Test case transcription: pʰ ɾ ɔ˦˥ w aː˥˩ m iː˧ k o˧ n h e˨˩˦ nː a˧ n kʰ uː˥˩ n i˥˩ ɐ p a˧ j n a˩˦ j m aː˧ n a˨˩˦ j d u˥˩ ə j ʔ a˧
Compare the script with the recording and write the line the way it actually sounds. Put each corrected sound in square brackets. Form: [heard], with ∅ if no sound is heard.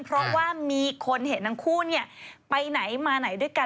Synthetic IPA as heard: pʰ ɾ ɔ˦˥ w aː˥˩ m iː˧ [kʰ] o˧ n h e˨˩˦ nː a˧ [ŋ] kʰ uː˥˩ n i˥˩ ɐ p a˧ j n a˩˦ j m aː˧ n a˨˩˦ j d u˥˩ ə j [k] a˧